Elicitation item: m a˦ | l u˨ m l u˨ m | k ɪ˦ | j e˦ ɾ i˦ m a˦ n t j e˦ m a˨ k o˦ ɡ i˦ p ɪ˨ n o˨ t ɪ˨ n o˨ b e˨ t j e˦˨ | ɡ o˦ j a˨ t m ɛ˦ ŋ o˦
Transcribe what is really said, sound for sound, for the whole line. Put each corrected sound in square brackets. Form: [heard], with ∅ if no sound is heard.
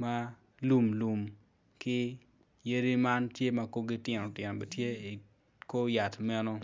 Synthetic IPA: m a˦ | l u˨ m l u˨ m | k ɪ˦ | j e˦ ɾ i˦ m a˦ n t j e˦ m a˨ k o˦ ɡ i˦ [t] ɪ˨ n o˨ t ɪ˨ n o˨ b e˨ t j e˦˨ | [k] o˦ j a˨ t m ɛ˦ [n] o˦